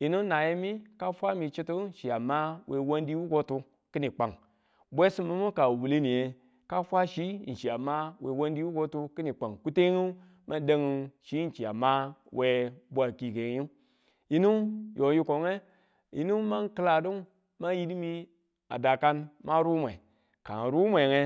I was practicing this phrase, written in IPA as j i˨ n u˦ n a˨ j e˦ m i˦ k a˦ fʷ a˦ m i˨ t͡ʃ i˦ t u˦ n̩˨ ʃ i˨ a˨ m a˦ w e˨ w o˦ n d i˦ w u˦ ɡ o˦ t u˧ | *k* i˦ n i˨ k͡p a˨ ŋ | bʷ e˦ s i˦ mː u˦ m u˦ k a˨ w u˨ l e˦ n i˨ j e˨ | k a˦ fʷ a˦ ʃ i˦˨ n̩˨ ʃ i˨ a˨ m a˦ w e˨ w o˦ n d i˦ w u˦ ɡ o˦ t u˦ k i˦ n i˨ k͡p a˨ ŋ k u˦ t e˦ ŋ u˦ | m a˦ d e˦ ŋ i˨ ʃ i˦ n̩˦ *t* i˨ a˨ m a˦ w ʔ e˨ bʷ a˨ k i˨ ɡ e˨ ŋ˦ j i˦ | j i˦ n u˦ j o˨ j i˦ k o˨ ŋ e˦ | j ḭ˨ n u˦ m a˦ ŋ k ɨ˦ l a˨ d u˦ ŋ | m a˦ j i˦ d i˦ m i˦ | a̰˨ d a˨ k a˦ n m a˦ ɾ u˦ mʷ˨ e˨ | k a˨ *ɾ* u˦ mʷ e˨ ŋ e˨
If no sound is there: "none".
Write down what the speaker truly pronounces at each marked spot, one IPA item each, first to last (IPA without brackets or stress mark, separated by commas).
k, t͡ʃ, ɾ